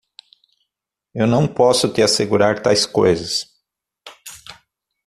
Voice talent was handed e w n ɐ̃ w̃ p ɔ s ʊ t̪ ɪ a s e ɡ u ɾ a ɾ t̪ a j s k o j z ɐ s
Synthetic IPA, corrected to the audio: e w n ɐ̃ w̃ p ɔ s ʊ t̪ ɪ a s e ɡ u ɾ a ɾ t̪ a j s k o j z ɐ s

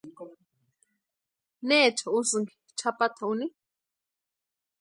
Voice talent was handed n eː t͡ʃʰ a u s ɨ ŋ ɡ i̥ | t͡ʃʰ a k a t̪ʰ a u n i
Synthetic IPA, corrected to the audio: n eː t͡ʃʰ a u s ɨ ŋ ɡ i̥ | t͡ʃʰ a p a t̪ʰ a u n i

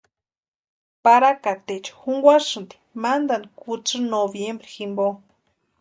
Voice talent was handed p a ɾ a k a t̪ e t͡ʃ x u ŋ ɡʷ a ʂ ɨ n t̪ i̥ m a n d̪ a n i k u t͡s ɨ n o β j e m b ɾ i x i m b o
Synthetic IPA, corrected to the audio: p a ɾ a k a t̪ e t͡ʃ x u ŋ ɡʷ a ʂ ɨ n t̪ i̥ m a n d̪ a n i k u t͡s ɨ n o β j e m b ɾ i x i m b o

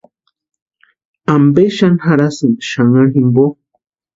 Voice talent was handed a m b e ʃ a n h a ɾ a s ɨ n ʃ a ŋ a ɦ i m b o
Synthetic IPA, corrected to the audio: a m b e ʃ a n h a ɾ a s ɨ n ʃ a ŋ a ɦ i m b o

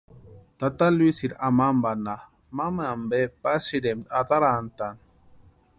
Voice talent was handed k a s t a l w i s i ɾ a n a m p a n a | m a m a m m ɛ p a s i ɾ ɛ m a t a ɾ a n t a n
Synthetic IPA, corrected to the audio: t a t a l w i s i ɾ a m a m b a n a | m a m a m b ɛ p a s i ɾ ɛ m a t a ɾ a n t a n

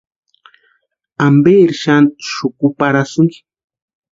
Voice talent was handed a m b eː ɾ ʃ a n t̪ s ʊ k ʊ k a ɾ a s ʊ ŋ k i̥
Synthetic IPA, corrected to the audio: a m b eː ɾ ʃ a n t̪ ʃ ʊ k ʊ p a ɾ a s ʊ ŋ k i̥

